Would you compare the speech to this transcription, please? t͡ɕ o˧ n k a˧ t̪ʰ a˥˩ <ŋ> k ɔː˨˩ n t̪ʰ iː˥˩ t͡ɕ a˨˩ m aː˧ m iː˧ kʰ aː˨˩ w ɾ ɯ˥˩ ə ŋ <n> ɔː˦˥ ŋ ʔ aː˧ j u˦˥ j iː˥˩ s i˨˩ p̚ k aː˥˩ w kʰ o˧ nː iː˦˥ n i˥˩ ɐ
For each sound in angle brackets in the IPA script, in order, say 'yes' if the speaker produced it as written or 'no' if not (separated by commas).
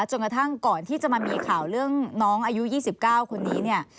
yes, yes